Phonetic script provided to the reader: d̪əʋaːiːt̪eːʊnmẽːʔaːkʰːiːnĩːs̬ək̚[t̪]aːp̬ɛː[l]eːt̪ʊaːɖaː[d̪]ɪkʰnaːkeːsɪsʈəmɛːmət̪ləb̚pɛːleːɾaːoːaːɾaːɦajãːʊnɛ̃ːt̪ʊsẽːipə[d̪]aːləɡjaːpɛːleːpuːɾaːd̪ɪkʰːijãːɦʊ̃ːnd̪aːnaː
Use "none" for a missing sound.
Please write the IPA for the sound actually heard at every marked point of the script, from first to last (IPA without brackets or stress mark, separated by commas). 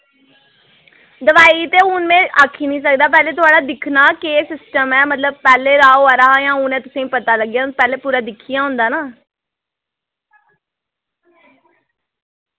d̪, l, d̪, t̪